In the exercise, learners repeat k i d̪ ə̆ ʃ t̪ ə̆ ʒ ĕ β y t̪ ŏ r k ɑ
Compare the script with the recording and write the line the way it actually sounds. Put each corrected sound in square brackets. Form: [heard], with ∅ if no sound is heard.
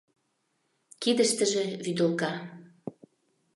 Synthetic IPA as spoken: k i d̪ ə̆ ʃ t̪ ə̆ ʒ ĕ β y [d̪] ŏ [l] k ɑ